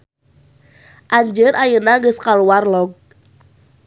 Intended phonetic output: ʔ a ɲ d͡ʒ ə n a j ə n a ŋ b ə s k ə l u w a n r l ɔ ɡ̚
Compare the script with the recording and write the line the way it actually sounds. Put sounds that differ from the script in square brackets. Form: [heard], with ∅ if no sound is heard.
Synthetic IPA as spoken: ʔ a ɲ d͡ʒ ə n a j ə n a ŋ [ɡ] ə s k [a] l u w a [∅] r l ɔ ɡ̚